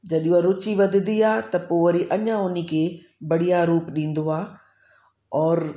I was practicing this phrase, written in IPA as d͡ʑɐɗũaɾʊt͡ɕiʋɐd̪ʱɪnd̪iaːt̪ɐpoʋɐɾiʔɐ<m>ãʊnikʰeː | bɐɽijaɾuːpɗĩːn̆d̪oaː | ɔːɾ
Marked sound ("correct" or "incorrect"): incorrect